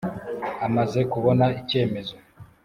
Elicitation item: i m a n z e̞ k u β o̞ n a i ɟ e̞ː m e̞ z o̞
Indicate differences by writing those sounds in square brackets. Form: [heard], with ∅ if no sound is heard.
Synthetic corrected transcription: [a] m a [∅] z e̞ k u β o̞ n a i [c] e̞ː m e̞ z o̞